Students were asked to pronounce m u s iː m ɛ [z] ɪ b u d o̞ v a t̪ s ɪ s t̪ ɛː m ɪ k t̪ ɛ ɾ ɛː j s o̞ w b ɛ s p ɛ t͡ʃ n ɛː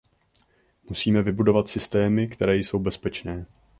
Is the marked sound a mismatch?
yes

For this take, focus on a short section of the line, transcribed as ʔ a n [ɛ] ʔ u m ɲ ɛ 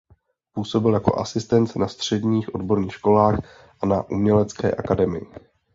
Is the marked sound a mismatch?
yes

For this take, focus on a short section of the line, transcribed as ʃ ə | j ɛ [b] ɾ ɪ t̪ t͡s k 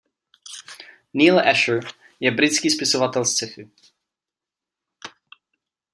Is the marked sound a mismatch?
no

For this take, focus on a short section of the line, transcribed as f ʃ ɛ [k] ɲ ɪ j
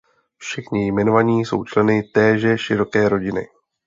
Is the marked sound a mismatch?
yes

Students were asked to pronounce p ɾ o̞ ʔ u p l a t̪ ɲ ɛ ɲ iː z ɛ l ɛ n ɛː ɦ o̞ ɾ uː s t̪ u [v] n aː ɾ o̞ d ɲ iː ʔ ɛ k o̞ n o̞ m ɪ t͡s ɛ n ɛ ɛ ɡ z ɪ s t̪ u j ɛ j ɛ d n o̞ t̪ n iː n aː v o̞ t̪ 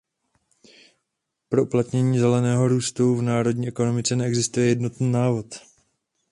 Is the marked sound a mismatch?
no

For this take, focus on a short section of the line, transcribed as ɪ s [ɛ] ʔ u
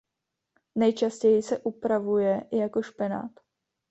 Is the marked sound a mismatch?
no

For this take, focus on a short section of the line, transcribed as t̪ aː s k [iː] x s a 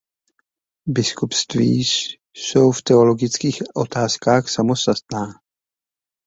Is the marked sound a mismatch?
yes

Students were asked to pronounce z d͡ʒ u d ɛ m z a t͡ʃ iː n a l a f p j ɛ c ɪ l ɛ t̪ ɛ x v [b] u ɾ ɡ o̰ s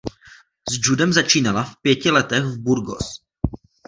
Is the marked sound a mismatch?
no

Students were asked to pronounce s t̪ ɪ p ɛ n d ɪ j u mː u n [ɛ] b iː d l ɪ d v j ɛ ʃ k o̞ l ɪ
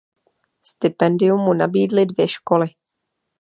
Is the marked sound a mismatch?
yes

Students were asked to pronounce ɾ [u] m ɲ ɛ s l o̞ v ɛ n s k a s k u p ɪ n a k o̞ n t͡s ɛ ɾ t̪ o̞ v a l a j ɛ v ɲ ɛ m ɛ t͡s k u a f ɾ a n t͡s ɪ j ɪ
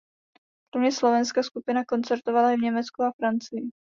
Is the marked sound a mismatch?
yes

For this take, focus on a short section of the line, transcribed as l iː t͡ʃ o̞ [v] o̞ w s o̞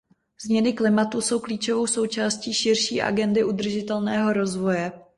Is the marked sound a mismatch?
no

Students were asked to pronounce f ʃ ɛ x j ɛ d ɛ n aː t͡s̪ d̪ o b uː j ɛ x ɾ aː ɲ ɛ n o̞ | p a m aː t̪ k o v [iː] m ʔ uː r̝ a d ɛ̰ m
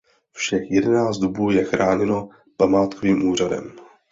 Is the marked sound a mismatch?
no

